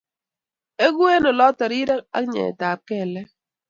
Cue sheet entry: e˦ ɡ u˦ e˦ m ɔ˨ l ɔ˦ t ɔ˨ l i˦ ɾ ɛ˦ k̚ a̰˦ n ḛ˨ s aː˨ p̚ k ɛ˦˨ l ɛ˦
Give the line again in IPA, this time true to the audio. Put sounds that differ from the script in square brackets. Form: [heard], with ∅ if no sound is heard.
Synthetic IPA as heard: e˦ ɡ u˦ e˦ [n] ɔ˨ l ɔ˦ t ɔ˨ [ɾ] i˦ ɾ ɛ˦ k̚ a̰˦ [ɲ] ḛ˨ [t] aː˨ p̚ k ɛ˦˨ l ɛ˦